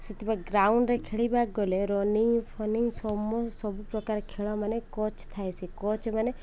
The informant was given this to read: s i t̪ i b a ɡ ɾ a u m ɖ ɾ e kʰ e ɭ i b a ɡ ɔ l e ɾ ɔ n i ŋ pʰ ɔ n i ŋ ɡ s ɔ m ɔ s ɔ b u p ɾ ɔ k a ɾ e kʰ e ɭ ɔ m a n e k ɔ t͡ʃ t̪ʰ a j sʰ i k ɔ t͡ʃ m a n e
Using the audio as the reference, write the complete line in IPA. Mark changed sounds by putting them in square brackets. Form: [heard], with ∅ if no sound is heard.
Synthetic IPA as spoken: s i t̪ i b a ɡ ɾ a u [ɳ] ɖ ɾ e kʰ e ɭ i b a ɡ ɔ l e ɾ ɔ n i ŋ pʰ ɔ n i ŋ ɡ s ɔ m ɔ s ɔ b u p ɾ ɔ k a ɾ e kʰ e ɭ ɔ m a n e k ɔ t͡ʃ t̪ʰ a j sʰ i k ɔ t͡ʃ m a n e

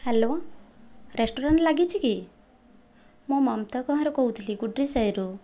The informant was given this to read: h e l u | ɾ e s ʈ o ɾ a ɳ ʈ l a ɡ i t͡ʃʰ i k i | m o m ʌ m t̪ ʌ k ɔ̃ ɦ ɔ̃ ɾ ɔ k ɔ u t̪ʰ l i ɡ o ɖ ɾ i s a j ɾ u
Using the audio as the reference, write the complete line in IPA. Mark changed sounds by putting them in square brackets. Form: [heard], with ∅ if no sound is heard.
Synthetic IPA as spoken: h e l [o] | ɾ e s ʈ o ɾ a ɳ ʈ l a ɡ i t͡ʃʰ i k i | m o m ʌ m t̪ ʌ k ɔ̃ ɦ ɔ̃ ɾ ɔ k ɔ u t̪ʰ l i ɡ [u] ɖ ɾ i s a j ɾ u

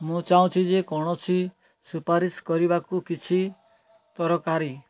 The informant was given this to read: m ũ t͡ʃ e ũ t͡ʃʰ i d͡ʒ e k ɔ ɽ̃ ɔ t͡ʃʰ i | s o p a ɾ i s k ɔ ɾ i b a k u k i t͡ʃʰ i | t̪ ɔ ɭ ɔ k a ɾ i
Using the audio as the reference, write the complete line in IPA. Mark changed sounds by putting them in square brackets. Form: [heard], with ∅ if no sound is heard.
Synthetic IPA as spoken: m ũ t͡ʃ [a] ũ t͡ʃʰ i d͡ʒ e k ɔ ɽ̃ ɔ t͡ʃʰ i | s [u] p a ɾ i s k ɔ ɾ i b a k u k i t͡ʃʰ i | t̪ ɔ [ɾ] ɔ k a ɾ i

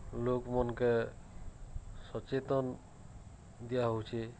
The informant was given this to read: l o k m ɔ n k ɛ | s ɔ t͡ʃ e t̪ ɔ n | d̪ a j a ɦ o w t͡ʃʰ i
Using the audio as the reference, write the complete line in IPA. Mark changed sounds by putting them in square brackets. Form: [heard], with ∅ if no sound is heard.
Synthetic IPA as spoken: l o k m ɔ n k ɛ | s ɔ t͡ʃ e t̪ ɔ n | d̪ [i] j a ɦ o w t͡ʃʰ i

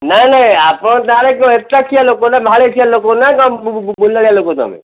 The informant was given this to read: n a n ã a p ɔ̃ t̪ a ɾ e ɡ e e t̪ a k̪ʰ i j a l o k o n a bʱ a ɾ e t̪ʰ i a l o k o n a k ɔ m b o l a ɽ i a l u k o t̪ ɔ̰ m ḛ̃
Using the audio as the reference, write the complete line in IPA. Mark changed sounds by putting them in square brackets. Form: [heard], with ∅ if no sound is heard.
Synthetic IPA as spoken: n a n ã a p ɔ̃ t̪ a ɾ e [k] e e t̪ a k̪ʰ i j a l o k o n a bʱ a [ɭ] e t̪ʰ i a l o k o n a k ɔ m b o l a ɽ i a l [o] k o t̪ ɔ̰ m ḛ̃

